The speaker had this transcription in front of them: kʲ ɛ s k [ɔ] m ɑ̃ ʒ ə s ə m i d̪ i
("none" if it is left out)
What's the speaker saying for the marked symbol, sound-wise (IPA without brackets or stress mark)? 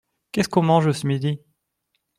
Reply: ɔ̃